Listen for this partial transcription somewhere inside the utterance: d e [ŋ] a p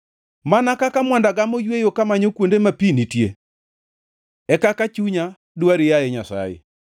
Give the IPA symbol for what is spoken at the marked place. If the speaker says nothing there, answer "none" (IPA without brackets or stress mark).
m